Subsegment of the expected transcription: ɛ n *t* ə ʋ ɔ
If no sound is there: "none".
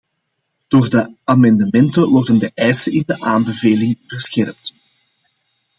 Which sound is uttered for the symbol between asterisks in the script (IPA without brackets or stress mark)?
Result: t